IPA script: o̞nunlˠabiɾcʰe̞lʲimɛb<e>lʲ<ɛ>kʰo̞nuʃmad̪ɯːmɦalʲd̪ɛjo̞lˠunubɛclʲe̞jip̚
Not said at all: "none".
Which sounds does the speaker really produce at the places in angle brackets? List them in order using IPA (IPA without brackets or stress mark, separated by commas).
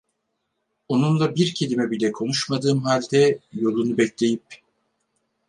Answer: i, ɛ